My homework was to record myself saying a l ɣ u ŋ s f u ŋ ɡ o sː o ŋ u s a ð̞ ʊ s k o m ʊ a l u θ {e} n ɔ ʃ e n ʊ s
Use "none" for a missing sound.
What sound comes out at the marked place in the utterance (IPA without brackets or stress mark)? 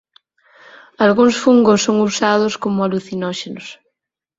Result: i